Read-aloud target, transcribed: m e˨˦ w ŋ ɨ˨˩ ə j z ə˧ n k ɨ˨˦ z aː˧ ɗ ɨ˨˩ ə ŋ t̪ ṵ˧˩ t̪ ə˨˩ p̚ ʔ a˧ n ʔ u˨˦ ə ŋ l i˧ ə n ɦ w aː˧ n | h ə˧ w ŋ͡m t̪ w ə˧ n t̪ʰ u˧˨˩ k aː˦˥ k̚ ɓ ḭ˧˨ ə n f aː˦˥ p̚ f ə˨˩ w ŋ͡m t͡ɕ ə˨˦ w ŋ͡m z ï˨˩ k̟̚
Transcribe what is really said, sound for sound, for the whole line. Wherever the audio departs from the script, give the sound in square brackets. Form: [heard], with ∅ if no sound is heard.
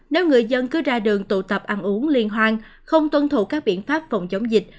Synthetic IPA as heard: [n] e˨˦ w ŋ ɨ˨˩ ə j z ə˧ n k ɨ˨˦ z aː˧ ɗ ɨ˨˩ ə ŋ t̪ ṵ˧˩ t̪ ə˨˩ p̚ ʔ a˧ n ʔ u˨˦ ə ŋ l i˧ ə n ɦ w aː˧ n | [x] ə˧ w ŋ͡m t̪ w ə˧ n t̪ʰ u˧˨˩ k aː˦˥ k̚ ɓ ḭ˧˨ ə n f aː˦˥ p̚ f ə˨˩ w ŋ͡m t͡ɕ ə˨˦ w ŋ͡m z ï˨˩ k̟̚